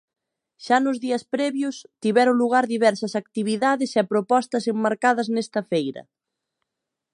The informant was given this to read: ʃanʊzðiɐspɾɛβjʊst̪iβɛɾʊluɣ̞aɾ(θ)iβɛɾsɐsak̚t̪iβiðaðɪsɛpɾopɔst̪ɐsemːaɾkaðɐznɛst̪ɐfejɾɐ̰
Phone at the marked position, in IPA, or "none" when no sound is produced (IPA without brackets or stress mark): ð